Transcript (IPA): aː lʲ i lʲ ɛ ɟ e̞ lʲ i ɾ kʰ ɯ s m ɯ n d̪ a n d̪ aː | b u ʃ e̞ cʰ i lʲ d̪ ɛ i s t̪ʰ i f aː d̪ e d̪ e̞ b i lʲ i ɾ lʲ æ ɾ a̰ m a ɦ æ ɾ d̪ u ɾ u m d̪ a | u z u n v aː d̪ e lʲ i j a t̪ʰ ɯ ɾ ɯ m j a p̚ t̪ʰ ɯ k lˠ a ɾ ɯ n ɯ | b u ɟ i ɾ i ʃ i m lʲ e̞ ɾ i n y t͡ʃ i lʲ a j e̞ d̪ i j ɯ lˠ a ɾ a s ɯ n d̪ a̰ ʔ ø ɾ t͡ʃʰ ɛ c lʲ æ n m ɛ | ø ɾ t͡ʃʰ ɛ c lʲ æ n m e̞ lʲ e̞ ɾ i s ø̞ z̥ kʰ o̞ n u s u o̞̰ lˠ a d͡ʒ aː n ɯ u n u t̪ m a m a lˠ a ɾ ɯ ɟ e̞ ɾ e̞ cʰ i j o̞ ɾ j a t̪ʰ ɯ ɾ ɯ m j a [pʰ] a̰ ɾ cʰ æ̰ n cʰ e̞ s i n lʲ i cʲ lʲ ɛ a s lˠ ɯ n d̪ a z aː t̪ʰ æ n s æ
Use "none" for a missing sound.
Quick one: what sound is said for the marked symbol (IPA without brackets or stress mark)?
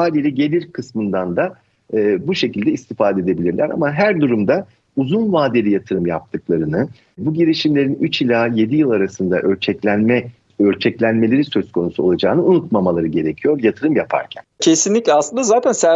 pʰ